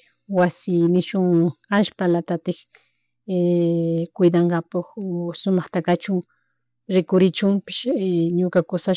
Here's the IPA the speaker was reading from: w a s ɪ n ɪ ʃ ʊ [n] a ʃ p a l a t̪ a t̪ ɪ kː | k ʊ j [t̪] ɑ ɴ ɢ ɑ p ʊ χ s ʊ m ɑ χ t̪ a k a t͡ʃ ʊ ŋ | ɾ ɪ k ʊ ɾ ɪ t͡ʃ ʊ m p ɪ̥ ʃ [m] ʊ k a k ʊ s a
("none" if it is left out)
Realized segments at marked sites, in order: ŋ, d̪, ɲ

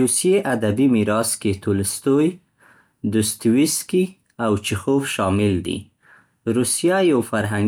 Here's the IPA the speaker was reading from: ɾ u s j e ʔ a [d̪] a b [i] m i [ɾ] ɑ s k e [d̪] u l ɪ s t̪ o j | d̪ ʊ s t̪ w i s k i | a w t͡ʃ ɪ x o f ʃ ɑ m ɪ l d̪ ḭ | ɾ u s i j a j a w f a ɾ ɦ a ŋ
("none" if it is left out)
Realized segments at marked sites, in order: d̪, i, ɾ, t̪

